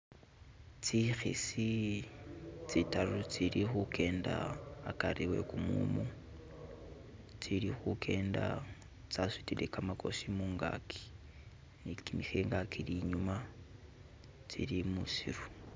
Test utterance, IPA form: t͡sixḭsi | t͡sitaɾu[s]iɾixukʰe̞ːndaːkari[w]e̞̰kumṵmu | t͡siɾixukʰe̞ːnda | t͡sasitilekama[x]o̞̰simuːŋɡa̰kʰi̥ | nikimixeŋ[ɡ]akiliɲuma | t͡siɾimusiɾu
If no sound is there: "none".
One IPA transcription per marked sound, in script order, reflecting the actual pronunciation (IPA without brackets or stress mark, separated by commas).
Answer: t͡s, w, k, ɡ